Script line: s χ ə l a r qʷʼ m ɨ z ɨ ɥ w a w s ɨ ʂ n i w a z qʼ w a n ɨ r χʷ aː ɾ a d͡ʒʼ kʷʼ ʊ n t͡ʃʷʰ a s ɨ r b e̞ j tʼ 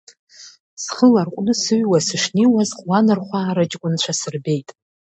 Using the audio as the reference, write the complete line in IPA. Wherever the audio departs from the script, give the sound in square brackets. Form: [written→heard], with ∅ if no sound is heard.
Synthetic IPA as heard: s χ ə l a r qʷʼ [m→n] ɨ [z→s] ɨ ɥ w a [w→∅] s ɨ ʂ n i w a z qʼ w a n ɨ r χʷ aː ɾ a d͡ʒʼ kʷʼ ʊ n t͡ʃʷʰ a s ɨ r b e̞ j tʼ